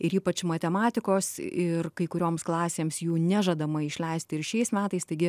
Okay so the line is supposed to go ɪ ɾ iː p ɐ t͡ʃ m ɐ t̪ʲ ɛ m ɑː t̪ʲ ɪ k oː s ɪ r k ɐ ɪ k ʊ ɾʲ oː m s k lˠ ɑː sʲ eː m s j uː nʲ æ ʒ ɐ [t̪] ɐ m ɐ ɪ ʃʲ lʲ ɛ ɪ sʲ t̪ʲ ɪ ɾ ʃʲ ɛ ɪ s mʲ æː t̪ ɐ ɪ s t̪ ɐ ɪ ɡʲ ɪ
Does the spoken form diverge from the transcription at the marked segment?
yes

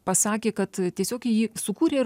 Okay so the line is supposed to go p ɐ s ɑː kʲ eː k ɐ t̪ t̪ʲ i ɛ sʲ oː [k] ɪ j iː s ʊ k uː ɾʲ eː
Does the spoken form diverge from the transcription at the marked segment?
no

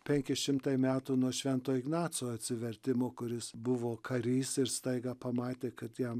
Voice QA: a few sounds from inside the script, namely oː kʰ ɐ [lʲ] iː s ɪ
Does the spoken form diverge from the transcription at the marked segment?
yes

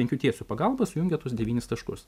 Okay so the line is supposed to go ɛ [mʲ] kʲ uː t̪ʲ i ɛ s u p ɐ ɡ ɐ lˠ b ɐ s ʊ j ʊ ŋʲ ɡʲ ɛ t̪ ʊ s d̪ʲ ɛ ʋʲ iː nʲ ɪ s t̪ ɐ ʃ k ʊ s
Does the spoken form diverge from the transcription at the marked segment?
yes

